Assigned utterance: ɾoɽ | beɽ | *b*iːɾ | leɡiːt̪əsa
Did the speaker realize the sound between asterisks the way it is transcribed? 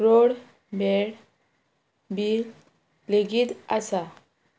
yes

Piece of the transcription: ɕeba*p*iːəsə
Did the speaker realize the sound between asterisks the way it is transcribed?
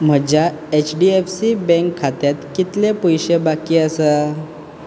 no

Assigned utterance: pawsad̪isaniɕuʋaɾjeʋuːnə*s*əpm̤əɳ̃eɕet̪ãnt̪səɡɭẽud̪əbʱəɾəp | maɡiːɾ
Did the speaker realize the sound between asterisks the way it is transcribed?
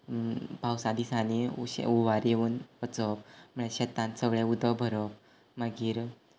no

